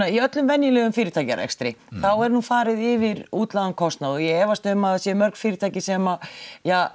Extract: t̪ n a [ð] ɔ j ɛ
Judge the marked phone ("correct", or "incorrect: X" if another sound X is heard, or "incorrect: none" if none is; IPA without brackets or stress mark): correct